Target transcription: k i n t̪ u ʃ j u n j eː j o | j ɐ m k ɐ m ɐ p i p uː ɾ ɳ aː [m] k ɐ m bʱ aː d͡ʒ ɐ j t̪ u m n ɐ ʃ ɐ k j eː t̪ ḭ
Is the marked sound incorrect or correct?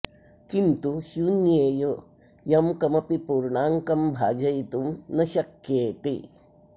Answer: incorrect